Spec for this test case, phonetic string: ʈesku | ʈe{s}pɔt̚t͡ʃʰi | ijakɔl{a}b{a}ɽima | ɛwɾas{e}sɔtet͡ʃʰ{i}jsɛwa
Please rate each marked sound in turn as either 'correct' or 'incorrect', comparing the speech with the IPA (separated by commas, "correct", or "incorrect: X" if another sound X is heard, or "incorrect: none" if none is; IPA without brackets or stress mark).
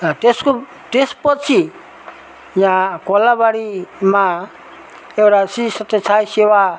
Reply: correct, correct, correct, incorrect: i, incorrect: a